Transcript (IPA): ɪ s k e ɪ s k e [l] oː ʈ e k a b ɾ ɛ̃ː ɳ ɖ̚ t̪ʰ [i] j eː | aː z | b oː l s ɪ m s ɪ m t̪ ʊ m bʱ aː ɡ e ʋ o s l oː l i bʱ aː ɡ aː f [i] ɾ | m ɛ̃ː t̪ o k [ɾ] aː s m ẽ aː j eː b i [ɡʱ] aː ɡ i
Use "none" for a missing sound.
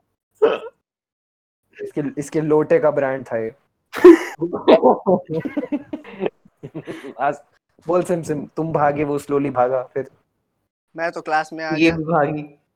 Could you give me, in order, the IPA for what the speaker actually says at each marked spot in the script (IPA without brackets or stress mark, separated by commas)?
l, a, ɪ, l, bʱ